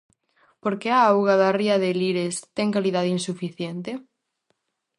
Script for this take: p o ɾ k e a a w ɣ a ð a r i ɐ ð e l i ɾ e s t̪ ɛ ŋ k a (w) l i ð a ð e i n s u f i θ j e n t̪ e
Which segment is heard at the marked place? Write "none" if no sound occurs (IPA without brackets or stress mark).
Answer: none